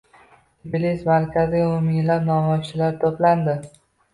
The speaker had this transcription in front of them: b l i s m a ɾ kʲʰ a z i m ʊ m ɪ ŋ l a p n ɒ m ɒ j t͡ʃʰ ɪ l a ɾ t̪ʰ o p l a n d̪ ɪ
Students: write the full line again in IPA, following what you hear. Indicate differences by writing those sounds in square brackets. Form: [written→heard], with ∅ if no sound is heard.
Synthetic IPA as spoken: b l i s m a ɾ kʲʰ a z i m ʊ m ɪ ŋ l a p n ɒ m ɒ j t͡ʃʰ ɪ l a ɾ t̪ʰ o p l a n d̪ ɪ